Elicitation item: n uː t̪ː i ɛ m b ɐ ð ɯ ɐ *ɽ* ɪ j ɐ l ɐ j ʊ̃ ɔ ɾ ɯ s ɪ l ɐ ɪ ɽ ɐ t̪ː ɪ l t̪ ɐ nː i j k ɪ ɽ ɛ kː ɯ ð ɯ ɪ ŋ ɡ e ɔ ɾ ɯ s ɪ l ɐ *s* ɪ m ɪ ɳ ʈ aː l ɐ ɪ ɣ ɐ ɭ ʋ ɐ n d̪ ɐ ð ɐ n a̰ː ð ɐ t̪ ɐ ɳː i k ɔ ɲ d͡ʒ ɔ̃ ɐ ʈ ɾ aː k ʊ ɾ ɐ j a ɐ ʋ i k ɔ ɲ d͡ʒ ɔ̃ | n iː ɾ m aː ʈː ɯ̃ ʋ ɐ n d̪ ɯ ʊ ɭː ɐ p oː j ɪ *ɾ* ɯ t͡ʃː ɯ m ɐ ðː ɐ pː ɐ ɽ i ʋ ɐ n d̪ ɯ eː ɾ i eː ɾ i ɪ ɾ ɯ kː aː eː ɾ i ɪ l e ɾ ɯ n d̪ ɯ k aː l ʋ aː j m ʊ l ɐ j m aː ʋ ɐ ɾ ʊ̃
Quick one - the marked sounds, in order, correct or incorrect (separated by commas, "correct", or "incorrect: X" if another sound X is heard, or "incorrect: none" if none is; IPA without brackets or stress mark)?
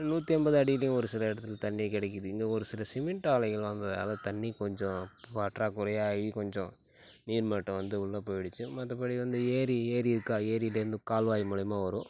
correct, correct, incorrect: ɽ